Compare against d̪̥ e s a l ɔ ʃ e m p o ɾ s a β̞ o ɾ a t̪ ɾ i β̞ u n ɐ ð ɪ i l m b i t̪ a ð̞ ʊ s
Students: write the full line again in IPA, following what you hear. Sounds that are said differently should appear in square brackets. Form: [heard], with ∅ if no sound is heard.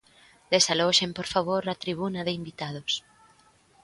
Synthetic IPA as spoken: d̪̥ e s a l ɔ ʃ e m p o ɾ [f] a β̞ o ɾ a t̪ ɾ i β̞ u n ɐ ð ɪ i [∅] m b i t̪ a ð̞ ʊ s

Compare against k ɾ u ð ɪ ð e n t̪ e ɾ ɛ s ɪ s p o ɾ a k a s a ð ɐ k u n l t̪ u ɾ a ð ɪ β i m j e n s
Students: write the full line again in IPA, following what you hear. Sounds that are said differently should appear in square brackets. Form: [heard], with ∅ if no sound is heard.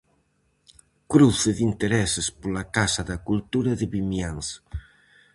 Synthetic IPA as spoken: k ɾ u [θ] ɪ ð [i] n t̪ e ɾ ɛ s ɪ s p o [l] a k a s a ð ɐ k u [∅] l t̪ u ɾ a ð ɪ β i m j [a] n s

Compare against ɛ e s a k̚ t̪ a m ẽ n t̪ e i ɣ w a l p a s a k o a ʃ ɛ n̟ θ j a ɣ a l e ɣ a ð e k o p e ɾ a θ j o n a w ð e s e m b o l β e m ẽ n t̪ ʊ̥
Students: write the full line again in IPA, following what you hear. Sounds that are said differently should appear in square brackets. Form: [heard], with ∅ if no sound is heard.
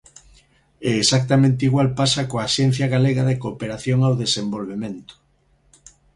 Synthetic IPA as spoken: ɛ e s a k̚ t̪ a m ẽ n t̪ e i ɣ w a l p a s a k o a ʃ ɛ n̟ θ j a ɣ a l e ɣ a ð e k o p e ɾ a θ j o [ŋ] a w ð e s e m b o l β e m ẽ n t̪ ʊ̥

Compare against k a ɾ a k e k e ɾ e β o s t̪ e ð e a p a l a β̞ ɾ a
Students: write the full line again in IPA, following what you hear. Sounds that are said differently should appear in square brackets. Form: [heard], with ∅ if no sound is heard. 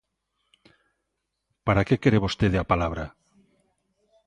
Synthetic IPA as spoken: [p] a ɾ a k e k e ɾ e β o s t̪ e ð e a p a l a β̞ ɾ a

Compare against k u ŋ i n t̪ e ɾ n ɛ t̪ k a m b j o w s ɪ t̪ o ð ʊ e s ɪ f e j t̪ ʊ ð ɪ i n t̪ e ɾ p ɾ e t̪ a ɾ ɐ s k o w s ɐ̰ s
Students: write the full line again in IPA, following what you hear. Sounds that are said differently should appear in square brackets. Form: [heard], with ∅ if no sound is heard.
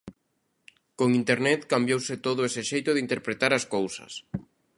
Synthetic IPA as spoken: k [o] ŋ i n t̪ e ɾ n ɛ t̪ k a m b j o w s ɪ t̪ o ð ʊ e s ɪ [ʃ] e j t̪ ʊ ð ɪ i n t̪ e ɾ p ɾ e t̪ a ɾ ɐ s k o w s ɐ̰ s

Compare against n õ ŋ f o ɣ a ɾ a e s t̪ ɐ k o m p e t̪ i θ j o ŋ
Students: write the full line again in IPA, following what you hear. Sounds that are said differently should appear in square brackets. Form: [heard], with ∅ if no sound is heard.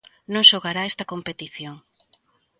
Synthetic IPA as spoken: n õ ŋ [ʃ] o ɣ a ɾ a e s t̪ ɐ k o m p e t̪ i θ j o ŋ

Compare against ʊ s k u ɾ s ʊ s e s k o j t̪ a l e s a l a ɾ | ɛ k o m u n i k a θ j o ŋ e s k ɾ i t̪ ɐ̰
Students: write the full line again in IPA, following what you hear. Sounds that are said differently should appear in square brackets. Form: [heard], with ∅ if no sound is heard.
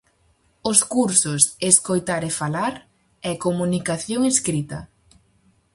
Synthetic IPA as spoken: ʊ s k u ɾ s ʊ s e s k o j t̪ a [ɾ] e [f] a l a ɾ | ɛ k o m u n i k a θ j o ŋ e s k ɾ i t̪ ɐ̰

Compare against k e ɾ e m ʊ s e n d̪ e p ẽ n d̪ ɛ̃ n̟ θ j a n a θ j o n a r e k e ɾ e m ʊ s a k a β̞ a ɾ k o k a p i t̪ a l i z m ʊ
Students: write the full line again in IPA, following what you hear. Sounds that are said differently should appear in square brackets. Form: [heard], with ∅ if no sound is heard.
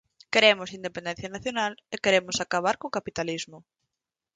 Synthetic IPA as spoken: k e ɾ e m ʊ s [i] n d̪ e p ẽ n d̪ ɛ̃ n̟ θ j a n a θ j o n a [l] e k e ɾ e m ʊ s a k a β̞ a ɾ k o k a p i t̪ a l i z m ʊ

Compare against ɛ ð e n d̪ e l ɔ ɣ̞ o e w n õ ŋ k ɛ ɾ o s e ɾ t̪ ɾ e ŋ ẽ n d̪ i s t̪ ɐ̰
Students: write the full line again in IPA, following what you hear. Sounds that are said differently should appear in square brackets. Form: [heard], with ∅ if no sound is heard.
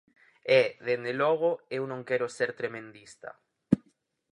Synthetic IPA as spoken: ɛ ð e n d̪ e l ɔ ɣ̞ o e w n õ ŋ k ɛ ɾ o s e ɾ t̪ ɾ e [m] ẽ n d̪ i s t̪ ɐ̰

